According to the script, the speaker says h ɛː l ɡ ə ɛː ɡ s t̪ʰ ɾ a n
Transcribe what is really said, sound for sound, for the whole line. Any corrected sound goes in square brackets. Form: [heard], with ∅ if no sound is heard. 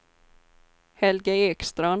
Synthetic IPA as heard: h [ɛ] l ɡ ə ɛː [k] s [t̪] ɾ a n

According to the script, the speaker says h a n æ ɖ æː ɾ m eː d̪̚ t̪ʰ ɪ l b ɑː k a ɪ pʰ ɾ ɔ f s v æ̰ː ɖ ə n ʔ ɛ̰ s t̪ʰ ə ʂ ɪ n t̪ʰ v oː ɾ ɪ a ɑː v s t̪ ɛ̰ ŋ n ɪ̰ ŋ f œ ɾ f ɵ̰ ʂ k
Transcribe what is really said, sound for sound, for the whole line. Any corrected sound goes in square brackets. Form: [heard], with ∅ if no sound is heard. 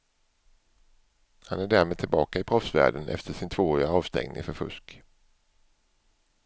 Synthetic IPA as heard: h a n æ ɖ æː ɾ m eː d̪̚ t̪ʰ ɪ l b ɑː k a ɪ pʰ ɾ ɔ f s v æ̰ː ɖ ə n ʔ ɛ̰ [f] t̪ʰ ə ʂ ɪ n t̪ʰ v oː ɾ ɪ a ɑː v s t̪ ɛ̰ ŋ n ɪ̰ ŋ f œ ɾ f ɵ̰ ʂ k

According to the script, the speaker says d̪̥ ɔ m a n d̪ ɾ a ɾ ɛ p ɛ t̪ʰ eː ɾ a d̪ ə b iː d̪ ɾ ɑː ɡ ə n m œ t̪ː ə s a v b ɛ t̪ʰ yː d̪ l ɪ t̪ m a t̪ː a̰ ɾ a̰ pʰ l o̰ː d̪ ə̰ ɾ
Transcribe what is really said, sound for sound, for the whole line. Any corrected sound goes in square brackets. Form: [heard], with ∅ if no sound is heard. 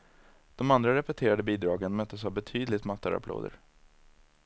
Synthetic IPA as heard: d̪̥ ɔ m a n d̪ ɾ a ɾ ɛ p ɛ t̪ʰ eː ɾ a d̪ ə b iː d̪ ɾ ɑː ɡ ə n m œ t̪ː ə s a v b ɛ t̪ʰ yː d̪ l ɪ t̪ m a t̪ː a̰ ɾ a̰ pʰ l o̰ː d̪ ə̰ ɾ

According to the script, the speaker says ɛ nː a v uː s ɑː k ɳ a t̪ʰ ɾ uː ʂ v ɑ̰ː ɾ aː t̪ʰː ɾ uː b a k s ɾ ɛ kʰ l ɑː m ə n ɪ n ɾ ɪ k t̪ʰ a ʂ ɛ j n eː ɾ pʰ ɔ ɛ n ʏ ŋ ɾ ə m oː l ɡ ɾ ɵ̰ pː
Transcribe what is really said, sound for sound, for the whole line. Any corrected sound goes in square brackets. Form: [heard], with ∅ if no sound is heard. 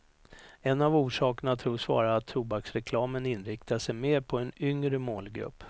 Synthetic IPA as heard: ɛ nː a v uː [ʂ] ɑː k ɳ a t̪ʰ ɾ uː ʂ v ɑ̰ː ɾ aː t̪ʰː ɾ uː b a k s ɾ ɛ kʰ l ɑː m ə n ɪ n ɾ ɪ k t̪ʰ a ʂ ɛ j [m] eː ɾ pʰ ɔ ɛ n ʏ ŋ ɾ ə m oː l ɡ ɾ ɵ̰ pː

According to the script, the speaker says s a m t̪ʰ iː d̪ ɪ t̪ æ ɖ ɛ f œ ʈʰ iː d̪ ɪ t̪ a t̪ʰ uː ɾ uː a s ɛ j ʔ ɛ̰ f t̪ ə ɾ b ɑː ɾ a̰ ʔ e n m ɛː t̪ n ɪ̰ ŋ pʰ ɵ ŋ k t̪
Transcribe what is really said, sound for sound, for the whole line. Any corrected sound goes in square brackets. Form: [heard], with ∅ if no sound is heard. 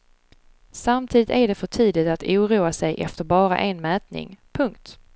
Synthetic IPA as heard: s a m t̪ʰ iː d̪ ɪ t̪ æ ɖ ɛ f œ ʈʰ iː d̪ ɪ t̪ a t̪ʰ uː ɾ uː a s ɛ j ʔ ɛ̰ f t̪ ə ɾ b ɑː ɾ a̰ ʔ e n m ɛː t̪ n ɪ̰ ŋ pʰ ɵ ŋ k t̪

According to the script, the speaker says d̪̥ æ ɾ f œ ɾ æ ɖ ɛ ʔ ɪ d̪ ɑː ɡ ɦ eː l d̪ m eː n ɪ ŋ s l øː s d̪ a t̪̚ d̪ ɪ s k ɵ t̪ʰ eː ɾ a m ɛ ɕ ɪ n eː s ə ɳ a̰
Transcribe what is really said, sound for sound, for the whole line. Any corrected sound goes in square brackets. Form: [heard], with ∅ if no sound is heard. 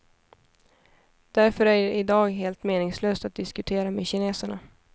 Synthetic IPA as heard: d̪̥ æ ɾ f œ ɾ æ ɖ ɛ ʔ ɪ d̪ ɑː ɡ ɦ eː l [t̪] m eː n ɪ ŋ s l øː s [t̪] a t̪̚ d̪ ɪ s k ɵ t̪ʰ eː ɾ a m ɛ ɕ ɪ n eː s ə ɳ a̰

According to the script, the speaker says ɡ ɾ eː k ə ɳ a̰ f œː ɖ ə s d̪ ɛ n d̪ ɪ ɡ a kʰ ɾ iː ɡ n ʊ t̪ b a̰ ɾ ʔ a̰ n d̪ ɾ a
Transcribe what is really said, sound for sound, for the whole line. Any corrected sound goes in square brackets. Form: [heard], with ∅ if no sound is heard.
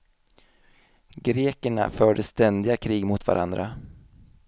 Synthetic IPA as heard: ɡ ɾ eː k ə ɳ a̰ f œː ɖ ə s [t̪] ɛ n d̪ ɪ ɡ a kʰ ɾ iː ɡ [m] ʊ t̪ [v] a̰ ɾ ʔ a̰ n d̪ ɾ a

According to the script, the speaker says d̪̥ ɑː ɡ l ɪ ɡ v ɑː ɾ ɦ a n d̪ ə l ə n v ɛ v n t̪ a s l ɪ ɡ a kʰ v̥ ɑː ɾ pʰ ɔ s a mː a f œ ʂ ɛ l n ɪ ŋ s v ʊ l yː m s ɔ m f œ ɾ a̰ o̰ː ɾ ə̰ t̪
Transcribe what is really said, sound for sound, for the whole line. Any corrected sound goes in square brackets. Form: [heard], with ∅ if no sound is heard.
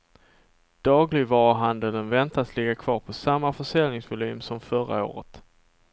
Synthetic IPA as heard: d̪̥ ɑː ɡ l ɪ ɡ v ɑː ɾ ɦ a n d̪ ə l ə n v ɛ [∅] n t̪ a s l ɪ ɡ a kʰ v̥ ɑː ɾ pʰ ɔ s a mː a f œ ʂ ɛ l n ɪ ŋ s v ʊ l yː m s ɔ m f œ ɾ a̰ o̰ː ɾ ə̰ t̪

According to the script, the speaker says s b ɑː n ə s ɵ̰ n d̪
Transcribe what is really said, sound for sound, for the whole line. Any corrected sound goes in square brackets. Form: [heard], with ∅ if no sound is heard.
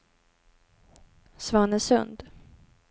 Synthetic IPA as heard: s [v] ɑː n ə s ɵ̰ n d̪

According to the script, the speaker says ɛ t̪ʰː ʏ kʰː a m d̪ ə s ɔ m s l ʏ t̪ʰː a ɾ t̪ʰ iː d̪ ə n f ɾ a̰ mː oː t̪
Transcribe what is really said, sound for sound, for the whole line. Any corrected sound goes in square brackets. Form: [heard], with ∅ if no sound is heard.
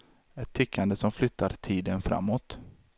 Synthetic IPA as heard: ɛ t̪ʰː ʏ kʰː a [n] d̪ ə s ɔ m [f] l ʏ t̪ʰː a ɾ t̪ʰ iː d̪ ə n f ɾ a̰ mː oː t̪

